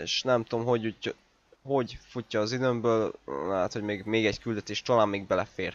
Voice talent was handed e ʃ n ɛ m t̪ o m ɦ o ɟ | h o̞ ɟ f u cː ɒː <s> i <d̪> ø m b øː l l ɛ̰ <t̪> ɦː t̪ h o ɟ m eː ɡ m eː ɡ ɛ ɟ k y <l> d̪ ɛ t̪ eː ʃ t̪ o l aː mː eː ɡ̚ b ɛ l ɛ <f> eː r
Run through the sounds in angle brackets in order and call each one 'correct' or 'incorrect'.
incorrect: z, correct, incorrect: none, correct, correct

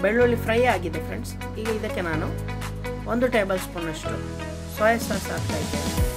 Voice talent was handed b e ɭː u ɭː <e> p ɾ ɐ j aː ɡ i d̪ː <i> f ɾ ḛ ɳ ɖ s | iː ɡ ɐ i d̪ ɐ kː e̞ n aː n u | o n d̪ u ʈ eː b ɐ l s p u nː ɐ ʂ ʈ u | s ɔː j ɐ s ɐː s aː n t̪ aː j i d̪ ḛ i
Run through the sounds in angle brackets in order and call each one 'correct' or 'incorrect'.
incorrect: i, incorrect: e

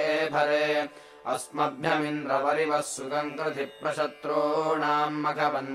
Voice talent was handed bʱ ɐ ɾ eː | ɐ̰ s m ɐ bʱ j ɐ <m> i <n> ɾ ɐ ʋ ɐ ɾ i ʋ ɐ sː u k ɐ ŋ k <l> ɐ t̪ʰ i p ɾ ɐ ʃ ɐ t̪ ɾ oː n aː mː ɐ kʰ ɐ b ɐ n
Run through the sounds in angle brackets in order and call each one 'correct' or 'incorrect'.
correct, correct, incorrect: ɾ

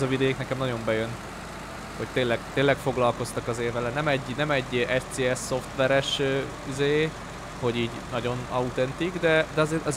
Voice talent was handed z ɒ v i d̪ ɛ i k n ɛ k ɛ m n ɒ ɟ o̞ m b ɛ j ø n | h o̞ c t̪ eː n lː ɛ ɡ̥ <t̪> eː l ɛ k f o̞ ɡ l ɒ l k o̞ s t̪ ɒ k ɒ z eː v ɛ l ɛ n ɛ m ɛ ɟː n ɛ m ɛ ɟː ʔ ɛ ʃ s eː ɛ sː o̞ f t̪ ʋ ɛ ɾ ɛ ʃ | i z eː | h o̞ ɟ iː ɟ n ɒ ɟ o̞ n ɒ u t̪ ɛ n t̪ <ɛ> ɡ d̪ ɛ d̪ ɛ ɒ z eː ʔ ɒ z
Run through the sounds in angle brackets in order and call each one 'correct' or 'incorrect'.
correct, incorrect: i

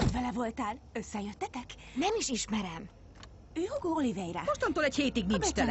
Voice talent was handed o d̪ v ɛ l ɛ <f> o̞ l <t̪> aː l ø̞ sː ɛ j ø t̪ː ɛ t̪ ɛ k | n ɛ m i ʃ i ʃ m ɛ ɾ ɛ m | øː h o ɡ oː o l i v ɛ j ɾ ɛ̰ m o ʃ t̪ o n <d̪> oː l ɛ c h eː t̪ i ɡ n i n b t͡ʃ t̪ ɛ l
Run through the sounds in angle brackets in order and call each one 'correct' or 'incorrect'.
incorrect: v, correct, incorrect: t̪

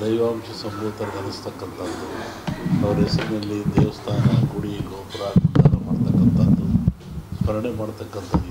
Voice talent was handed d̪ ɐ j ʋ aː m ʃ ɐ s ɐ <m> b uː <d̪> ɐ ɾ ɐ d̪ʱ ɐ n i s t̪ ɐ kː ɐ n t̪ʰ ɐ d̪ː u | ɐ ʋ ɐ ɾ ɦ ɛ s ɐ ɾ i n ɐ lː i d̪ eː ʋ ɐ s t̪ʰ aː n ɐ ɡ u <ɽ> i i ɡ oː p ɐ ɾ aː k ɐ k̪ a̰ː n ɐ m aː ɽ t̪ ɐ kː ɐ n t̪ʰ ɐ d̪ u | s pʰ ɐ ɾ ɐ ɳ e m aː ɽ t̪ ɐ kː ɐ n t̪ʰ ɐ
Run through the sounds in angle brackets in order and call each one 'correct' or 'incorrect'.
correct, incorrect: t̪, correct

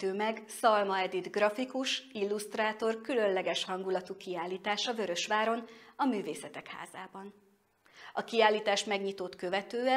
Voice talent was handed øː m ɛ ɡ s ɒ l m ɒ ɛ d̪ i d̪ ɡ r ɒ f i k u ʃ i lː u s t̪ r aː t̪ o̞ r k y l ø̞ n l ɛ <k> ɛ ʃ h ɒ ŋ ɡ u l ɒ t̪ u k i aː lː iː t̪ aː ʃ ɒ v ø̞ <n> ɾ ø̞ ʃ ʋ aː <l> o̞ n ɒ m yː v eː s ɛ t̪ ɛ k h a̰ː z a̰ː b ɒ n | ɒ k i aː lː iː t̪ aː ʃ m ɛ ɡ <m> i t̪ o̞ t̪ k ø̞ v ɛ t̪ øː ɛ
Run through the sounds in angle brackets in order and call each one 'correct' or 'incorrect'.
incorrect: ɡ, incorrect: none, incorrect: ɾ, incorrect: ɲ

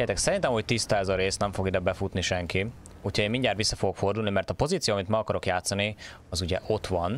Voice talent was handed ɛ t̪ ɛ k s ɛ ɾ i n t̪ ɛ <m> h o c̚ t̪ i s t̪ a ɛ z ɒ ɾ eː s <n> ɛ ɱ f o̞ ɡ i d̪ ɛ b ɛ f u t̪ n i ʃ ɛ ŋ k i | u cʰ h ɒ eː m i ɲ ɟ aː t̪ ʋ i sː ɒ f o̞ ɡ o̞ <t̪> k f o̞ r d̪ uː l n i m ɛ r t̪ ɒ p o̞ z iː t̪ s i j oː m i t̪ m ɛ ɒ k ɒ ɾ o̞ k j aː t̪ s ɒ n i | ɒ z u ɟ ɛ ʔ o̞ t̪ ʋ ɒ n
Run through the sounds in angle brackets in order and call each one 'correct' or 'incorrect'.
correct, correct, incorrect: none

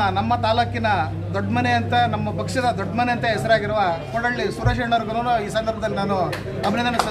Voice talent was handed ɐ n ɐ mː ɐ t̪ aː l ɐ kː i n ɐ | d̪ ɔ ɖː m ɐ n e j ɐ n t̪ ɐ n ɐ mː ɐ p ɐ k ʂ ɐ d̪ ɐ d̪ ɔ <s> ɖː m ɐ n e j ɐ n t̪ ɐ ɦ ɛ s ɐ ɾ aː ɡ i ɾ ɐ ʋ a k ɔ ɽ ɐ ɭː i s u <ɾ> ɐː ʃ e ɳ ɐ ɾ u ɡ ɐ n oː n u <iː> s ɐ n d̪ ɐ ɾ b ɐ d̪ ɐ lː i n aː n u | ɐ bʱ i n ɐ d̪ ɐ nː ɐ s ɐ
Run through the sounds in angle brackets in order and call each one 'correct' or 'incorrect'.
incorrect: none, correct, correct

